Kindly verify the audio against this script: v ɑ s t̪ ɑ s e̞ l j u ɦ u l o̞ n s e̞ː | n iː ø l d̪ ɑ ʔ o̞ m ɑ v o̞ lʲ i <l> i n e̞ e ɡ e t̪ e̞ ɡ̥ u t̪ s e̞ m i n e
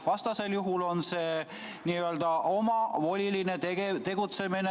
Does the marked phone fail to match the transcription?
no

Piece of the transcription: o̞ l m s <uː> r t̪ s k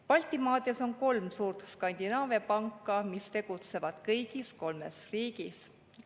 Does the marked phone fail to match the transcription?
no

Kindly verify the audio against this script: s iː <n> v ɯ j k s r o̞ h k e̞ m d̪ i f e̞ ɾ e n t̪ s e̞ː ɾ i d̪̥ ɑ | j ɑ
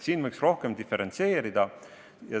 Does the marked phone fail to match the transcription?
no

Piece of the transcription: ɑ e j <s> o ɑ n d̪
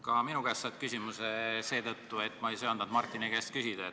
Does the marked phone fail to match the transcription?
no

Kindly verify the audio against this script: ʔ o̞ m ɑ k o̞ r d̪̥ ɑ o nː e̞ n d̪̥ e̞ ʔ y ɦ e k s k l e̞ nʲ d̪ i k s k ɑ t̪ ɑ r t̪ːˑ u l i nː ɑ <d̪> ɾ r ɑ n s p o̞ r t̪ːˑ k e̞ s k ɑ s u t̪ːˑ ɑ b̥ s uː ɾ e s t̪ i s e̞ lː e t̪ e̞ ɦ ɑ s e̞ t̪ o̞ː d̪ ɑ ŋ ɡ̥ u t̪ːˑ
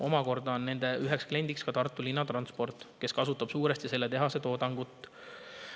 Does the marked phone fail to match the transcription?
yes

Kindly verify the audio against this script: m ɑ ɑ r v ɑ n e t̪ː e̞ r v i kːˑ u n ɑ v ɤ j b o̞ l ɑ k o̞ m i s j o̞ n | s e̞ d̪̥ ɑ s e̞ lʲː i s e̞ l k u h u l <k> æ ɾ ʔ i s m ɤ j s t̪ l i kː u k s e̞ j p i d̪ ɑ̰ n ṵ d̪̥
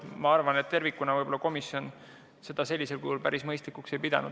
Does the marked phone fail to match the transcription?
yes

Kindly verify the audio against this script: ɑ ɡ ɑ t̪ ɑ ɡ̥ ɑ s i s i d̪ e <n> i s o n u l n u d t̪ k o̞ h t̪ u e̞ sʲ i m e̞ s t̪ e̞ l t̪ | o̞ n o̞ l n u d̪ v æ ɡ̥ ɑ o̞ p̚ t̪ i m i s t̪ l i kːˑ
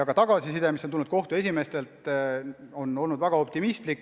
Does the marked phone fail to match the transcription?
yes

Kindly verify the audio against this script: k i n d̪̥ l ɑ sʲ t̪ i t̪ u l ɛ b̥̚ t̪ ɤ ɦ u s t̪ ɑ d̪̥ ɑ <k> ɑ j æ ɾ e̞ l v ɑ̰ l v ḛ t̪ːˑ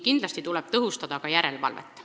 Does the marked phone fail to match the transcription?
no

